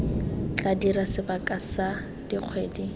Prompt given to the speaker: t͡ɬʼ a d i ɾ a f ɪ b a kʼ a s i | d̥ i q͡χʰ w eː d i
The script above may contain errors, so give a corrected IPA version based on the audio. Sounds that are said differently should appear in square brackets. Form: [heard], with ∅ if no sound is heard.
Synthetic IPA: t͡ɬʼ a d i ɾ a [s] ɪ b a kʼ a s [a] | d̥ i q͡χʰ w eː d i